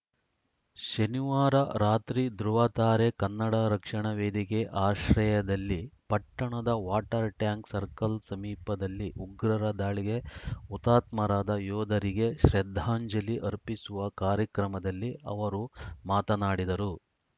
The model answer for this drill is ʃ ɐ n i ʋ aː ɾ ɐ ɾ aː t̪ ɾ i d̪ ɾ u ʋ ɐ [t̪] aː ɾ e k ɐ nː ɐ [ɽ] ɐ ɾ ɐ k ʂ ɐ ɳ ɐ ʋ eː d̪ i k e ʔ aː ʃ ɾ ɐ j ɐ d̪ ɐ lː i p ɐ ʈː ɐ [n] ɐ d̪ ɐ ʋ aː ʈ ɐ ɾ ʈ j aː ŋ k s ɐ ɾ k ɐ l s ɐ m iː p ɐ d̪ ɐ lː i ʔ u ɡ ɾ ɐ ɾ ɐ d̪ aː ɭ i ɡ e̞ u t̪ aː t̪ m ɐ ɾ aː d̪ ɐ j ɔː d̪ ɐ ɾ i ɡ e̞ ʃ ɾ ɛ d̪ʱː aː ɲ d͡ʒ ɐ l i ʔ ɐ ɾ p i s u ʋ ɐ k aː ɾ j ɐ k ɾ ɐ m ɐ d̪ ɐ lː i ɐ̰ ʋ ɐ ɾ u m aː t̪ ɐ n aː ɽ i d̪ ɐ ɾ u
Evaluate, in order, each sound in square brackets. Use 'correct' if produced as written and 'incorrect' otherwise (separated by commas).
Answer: correct, correct, incorrect